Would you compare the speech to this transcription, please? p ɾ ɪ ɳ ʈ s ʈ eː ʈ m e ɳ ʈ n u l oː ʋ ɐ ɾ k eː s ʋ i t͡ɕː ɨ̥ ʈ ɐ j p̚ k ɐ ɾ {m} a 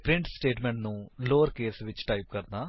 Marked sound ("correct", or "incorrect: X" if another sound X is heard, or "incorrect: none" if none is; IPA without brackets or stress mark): incorrect: n